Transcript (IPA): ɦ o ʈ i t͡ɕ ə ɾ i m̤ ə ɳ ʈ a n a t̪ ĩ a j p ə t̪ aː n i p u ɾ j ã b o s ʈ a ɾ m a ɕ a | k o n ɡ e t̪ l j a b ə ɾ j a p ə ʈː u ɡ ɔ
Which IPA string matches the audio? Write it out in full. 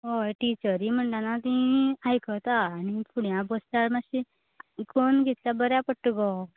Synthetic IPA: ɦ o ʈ i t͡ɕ ə ɾ i m̤ ə ɳ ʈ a n a t̪ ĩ a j k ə t̪ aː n i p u ɽ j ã b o s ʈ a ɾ m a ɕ i | k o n ɡ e t̪ l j a b ə ɾ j a p ə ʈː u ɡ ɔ